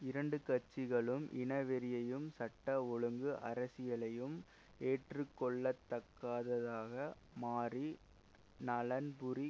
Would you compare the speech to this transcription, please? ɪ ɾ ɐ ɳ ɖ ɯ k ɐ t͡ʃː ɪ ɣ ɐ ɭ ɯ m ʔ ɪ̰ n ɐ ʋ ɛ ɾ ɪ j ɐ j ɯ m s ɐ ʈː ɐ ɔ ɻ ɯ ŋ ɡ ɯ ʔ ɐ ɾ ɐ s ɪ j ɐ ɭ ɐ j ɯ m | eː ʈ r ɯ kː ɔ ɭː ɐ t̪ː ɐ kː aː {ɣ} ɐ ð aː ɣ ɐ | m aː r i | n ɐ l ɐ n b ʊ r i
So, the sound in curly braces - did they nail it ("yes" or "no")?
no